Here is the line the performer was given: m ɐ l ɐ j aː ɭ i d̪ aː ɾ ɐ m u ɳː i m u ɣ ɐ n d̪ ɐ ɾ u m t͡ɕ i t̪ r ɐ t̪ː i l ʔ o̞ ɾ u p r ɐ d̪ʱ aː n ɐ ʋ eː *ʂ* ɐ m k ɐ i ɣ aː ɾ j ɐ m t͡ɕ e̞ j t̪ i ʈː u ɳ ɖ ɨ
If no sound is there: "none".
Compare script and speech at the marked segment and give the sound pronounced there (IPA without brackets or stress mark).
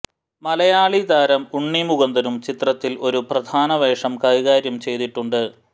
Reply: ʂ